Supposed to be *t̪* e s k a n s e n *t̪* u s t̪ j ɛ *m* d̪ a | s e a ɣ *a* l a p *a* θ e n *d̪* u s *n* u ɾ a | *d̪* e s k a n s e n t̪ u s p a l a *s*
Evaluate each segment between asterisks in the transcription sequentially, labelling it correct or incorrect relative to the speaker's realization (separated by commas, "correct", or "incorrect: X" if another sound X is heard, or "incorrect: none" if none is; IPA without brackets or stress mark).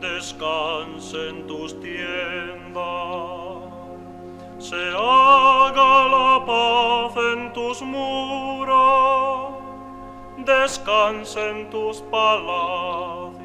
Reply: incorrect: d̪, correct, incorrect: n, correct, correct, incorrect: t̪, incorrect: m, correct, incorrect: θ